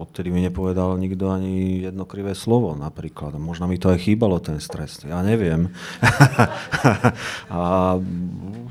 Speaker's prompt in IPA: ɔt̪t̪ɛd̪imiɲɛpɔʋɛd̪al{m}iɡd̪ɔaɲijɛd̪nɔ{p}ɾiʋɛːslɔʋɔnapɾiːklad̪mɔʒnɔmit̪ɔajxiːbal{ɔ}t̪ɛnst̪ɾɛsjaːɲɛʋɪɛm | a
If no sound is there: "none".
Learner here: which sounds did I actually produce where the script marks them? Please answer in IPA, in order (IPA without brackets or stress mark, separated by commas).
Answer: ɲ, k, ɔ